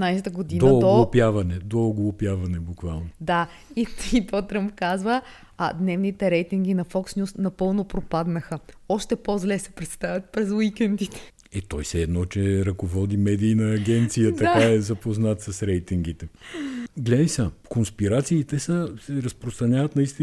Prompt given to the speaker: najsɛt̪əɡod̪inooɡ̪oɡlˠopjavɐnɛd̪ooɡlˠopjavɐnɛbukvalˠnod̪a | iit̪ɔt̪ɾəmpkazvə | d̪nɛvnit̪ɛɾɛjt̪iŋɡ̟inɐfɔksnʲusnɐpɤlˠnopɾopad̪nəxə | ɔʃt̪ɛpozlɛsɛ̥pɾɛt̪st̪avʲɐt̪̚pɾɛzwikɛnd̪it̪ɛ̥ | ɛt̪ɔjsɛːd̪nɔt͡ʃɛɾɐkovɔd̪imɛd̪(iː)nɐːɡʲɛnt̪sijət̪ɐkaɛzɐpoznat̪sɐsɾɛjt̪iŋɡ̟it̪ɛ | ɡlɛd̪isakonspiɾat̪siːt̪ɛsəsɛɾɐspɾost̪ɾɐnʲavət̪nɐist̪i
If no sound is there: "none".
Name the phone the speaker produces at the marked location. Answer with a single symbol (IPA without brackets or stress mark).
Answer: iː